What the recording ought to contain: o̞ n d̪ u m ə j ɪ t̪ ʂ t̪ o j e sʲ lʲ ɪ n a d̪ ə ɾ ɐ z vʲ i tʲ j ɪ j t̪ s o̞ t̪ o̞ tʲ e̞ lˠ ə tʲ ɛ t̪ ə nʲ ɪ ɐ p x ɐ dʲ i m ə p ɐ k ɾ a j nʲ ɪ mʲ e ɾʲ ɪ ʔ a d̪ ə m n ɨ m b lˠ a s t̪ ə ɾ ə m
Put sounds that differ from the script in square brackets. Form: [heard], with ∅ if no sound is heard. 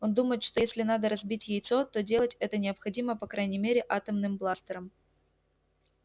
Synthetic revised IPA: o̞ n d̪ u m ə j ɪ t̪ ʂ t̪ o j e sʲ lʲ ɪ n a d̪ ə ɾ ɐ z [bʲ] i tʲ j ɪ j t̪ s o̞ t̪ o̞ [dʲ] e̞ lˠ ə tʲ ɛ t̪ ə nʲ ɪ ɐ p x ɐ dʲ i m ə p ɐ k ɾ a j nʲ ɪ mʲ e ɾʲ ɪ ʔ a [t̪] ə m n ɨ m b lˠ a s t̪ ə ɾ ə m